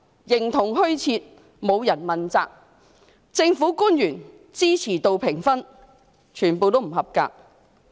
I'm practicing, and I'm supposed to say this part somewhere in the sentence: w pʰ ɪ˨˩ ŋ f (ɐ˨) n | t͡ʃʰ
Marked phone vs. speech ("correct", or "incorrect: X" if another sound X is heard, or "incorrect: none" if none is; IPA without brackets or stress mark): incorrect: ɐ˥